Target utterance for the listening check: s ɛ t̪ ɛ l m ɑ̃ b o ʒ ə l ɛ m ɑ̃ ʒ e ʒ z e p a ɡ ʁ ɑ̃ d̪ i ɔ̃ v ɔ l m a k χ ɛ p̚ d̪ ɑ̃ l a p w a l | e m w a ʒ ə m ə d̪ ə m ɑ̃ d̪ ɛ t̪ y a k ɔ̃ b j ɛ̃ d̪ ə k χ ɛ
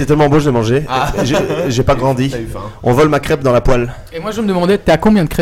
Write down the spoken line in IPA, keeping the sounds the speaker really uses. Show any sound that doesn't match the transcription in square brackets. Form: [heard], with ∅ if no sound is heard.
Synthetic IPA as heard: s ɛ t̪ ɛ l m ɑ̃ b o ʒ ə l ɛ m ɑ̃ ʒ e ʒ [ʒ] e p a ɡ ʁ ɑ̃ d̪ i ɔ̃ v ɔ l m a k χ ɛ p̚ d̪ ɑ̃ l a p w a l | e m w a ʒ ə m ə d̪ ə m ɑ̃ d̪ ɛ t̪ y a k ɔ̃ b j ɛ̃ d̪ ə k χ ɛ